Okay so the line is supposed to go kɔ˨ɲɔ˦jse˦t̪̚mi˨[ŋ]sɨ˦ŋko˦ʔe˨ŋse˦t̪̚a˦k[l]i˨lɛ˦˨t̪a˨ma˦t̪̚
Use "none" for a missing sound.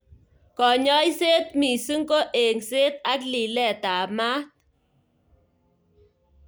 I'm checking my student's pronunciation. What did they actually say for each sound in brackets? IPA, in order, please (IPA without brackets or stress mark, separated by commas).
none, l